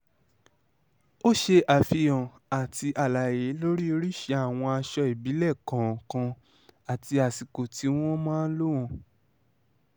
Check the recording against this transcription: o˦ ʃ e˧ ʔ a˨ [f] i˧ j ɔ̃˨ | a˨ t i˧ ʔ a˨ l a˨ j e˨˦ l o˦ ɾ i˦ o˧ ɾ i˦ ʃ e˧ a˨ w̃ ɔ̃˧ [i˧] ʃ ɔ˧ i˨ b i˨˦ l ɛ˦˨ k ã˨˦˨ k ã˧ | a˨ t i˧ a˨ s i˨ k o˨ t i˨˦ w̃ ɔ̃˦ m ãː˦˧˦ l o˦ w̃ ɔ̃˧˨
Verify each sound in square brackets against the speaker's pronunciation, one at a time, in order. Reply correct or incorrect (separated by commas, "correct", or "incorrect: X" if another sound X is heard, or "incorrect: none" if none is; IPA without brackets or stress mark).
correct, incorrect: a˧